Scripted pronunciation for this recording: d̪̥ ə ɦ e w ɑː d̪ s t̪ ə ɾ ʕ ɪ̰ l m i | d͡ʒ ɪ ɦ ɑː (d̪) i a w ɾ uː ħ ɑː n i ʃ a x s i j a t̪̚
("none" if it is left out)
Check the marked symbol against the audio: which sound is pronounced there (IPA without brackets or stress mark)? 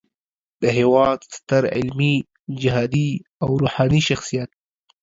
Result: d̪